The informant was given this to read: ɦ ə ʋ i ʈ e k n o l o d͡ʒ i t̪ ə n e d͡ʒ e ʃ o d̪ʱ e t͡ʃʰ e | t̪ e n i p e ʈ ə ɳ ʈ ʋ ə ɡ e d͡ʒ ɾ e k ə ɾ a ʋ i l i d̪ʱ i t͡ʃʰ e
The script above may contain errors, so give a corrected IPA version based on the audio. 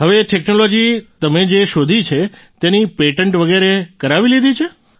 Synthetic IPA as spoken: ɦ ə ʋ e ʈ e k n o l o d͡ʒ i t̪ ə m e d͡ʒ e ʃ o d̪ʱ i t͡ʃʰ e | t̪ e n i p e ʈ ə ɳ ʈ ʋ ə ɡ e ɾ e k ə ɾ a ʋ i l i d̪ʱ i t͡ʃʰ e